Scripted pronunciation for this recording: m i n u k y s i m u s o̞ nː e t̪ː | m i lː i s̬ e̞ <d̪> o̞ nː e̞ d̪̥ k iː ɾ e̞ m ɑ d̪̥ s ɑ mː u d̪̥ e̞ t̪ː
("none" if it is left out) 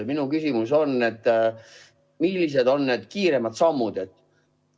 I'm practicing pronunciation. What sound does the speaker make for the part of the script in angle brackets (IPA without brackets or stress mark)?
d̪